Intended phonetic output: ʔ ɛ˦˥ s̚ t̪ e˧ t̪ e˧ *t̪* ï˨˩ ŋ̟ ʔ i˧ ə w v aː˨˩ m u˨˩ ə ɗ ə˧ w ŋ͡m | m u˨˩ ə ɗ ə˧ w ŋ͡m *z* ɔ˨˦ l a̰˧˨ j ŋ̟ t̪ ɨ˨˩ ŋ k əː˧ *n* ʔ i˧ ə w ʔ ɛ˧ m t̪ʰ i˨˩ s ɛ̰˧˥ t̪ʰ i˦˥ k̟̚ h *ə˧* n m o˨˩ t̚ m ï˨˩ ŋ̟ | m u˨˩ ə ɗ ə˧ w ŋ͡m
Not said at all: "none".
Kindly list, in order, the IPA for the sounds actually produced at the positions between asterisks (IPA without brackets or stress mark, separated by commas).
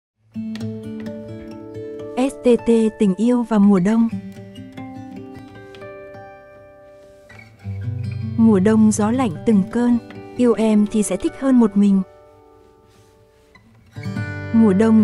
t̪, z, n, əː˧